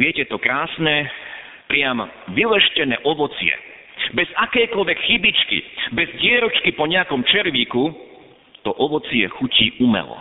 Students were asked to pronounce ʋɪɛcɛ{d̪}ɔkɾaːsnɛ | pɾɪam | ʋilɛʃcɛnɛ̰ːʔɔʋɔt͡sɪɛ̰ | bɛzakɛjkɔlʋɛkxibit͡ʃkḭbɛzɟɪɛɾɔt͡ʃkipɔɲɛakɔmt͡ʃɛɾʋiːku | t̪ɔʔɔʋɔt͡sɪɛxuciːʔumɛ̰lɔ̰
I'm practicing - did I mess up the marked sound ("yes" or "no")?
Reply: yes